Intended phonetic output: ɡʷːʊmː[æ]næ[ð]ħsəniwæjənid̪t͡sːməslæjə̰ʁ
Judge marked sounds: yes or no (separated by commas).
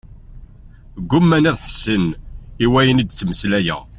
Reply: yes, yes